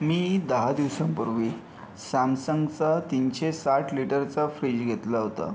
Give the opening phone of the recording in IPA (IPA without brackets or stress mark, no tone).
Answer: m